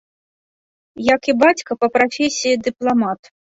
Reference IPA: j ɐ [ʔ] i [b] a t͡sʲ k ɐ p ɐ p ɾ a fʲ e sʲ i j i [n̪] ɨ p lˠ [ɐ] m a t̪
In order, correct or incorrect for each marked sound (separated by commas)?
incorrect, correct, incorrect, incorrect